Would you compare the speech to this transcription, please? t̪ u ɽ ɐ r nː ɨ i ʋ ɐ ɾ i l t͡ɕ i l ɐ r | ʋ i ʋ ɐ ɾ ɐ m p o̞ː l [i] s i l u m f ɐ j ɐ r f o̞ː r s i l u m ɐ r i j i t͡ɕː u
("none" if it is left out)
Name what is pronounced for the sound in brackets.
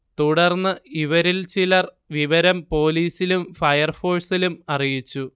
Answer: iː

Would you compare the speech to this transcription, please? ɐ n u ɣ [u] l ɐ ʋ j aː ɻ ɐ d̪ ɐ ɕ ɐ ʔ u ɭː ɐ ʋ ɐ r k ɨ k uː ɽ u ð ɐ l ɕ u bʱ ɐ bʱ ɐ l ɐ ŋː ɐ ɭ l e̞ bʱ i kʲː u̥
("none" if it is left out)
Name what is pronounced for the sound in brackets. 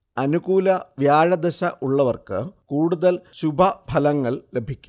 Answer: uː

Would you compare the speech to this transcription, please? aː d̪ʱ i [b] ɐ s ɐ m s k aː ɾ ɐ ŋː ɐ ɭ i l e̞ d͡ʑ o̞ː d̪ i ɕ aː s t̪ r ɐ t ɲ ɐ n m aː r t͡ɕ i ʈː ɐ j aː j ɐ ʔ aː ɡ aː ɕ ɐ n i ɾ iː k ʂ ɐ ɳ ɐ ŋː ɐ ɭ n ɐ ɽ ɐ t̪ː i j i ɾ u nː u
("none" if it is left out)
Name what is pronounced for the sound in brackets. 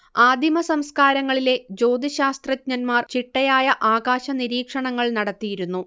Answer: m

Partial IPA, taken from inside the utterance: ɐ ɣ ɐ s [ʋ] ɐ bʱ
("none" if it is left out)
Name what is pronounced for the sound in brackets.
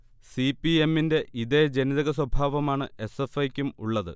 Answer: w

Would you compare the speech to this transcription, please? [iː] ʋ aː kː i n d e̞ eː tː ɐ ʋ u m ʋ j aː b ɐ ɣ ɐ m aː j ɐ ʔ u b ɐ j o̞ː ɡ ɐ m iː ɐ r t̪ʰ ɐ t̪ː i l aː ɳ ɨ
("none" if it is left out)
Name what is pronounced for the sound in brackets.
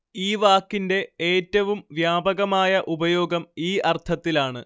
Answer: iː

